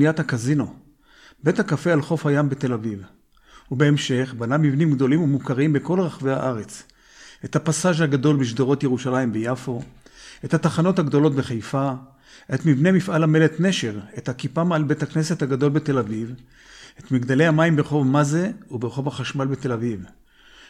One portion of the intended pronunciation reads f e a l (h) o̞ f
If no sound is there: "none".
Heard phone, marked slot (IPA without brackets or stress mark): χ